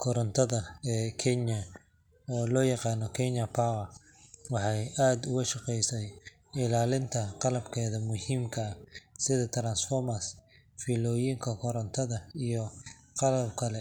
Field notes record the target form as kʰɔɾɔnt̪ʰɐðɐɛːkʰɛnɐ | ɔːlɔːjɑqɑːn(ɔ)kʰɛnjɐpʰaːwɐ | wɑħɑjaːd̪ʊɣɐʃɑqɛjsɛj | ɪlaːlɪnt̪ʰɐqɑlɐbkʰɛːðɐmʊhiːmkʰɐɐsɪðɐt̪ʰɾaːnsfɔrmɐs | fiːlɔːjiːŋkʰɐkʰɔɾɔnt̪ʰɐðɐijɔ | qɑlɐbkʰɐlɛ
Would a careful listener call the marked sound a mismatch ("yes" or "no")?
no